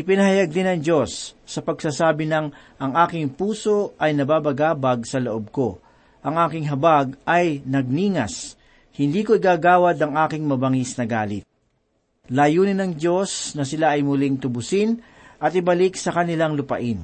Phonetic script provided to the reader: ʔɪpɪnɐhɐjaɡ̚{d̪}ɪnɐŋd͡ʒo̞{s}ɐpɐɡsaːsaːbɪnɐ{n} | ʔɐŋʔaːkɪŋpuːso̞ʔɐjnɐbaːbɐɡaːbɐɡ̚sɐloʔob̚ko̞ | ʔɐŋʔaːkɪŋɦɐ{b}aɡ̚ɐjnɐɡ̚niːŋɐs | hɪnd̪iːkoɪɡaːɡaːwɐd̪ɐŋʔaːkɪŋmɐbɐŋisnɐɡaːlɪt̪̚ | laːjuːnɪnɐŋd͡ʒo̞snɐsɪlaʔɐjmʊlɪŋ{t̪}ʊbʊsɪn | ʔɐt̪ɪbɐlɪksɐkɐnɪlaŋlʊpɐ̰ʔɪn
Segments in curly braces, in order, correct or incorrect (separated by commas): correct, incorrect, incorrect, correct, correct